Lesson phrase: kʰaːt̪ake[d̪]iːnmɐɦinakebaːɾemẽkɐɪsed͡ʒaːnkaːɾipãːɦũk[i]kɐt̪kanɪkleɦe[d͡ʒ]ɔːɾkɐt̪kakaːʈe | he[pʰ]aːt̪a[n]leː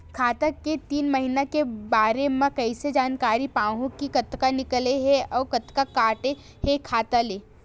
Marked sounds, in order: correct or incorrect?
incorrect: t̪, correct, incorrect: none, incorrect: kʰ, incorrect: none

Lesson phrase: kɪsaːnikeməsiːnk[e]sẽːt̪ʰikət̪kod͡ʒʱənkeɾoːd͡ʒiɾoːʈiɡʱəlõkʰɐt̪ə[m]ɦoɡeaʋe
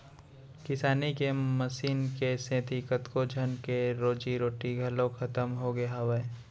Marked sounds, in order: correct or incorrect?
correct, correct

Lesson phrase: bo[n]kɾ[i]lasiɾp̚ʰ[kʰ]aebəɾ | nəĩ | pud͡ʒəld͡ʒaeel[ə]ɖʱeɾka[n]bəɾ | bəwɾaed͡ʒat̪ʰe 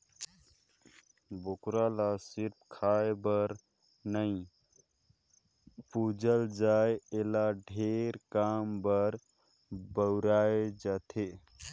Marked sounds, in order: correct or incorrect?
incorrect: none, incorrect: a, correct, incorrect: a, incorrect: m

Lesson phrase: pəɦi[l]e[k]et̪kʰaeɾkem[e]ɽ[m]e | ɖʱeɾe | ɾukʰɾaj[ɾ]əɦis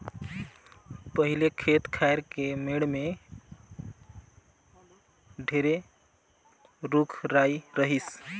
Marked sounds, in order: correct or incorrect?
correct, incorrect: kʰ, correct, correct, correct

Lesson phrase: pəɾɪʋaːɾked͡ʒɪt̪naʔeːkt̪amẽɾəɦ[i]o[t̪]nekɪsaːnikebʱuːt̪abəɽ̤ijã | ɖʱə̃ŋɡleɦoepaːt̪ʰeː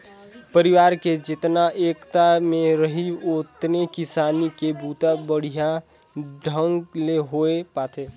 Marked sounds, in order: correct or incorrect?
correct, correct

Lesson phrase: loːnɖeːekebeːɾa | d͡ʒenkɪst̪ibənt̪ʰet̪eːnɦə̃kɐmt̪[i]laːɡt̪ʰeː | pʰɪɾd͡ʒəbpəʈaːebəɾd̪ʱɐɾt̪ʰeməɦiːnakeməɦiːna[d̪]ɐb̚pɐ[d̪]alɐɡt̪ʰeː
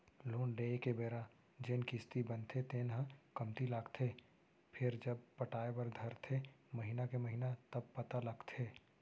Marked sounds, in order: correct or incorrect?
correct, incorrect: t̪, incorrect: t̪

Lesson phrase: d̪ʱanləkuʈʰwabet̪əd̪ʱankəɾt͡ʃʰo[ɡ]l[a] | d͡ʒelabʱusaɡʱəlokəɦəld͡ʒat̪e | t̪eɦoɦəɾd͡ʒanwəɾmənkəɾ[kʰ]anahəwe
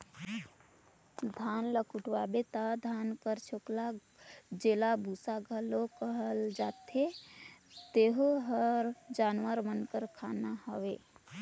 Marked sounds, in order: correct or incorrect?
incorrect: k, correct, correct

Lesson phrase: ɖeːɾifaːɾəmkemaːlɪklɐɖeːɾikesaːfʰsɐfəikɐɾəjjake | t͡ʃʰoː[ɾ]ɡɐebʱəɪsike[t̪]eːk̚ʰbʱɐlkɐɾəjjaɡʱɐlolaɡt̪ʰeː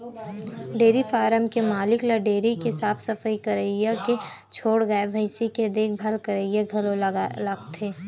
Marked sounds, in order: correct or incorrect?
incorrect: ɽ, incorrect: d̪

